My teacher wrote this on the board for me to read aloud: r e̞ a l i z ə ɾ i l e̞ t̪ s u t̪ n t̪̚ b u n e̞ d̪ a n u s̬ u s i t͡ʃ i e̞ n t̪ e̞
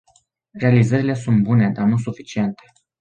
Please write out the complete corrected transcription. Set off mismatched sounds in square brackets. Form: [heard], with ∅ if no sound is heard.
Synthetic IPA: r e̞ a l i z ə ɾ i l e̞ [∅] s u [∅] n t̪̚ b u n e̞ d̪ a n u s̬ u [f] i t͡ʃ i e̞ n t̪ e̞